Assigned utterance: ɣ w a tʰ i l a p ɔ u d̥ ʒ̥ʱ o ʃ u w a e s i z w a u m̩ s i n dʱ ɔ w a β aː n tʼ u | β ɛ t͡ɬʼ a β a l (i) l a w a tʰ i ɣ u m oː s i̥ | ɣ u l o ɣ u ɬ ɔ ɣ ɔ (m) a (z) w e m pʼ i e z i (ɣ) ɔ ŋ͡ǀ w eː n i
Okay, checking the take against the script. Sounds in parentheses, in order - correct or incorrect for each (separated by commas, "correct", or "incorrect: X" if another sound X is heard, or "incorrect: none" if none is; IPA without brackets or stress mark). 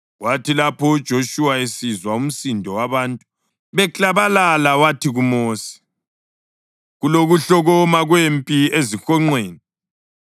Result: incorrect: a, correct, incorrect: ɣ, incorrect: x